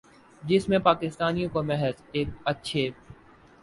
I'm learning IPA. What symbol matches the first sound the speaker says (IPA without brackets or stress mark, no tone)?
d͡ʒ